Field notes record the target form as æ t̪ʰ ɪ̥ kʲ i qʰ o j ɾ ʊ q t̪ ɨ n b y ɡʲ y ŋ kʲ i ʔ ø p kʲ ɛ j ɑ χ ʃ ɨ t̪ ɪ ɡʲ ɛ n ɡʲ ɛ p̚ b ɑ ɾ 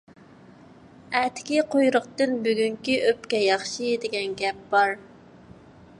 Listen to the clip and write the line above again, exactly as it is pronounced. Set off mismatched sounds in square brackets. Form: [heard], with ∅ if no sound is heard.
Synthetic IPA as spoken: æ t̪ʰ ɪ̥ kʲ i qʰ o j ɾ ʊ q t̪ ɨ n b y ɡʲ y ŋ kʲ i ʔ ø p kʲ ɛ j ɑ χ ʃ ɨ [d̪] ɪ ɡʲ ɛ n ɡʲ ɛ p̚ b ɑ ɾ